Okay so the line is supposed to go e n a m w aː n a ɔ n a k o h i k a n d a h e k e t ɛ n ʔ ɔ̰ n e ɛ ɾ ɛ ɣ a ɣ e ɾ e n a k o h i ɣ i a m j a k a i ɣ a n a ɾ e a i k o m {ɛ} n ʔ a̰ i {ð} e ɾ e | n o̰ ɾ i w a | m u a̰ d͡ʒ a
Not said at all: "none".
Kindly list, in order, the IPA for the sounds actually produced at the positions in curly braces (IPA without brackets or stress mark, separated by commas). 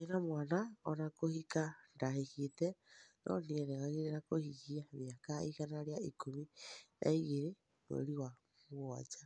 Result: i, ɣ